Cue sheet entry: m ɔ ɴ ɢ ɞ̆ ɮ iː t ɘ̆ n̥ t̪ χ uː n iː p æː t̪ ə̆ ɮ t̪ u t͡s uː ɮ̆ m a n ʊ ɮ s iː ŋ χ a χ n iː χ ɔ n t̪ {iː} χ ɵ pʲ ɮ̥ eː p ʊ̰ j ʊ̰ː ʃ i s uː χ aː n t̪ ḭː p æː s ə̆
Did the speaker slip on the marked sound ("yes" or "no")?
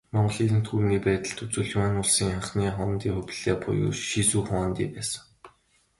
no